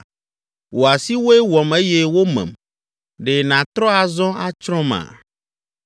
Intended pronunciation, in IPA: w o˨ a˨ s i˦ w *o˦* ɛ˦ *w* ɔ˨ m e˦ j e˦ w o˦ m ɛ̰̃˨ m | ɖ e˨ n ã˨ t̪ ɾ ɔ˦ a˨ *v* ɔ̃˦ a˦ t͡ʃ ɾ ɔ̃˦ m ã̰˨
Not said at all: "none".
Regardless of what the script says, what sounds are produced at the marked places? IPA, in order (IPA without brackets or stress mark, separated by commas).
o˦, w, z